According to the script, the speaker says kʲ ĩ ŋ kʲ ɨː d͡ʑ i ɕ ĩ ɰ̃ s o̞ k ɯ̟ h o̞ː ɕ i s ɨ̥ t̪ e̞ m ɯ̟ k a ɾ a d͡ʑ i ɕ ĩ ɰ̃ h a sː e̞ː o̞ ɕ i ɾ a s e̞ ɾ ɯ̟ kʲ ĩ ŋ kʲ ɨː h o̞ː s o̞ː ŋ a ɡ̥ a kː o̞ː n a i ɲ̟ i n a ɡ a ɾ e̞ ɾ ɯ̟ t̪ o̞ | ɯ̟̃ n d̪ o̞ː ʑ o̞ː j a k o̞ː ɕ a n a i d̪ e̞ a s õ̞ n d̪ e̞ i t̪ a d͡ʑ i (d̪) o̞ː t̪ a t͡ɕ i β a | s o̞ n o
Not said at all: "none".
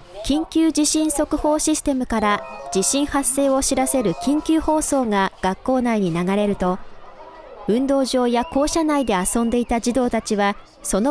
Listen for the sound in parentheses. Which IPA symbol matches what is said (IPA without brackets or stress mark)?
d̪